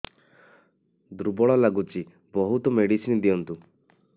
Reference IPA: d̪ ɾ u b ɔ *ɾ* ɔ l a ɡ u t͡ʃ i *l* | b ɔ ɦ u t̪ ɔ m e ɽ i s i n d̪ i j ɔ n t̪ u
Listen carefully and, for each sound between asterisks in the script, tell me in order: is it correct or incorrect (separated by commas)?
incorrect, incorrect